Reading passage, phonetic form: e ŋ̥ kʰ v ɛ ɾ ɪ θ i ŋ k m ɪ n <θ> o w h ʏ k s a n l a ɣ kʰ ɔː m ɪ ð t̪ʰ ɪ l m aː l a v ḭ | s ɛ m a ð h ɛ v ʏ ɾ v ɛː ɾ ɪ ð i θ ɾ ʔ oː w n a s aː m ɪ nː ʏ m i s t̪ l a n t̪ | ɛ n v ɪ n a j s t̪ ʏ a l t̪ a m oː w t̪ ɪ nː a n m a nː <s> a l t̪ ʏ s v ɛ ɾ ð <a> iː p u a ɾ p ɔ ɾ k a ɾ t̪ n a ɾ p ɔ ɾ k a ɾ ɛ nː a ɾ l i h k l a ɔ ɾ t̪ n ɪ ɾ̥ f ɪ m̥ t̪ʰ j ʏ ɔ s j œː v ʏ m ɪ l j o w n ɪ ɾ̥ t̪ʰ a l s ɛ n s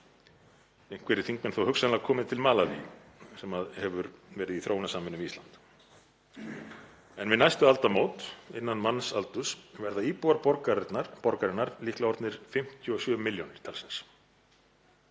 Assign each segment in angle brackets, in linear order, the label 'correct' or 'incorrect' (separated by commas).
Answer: correct, correct, correct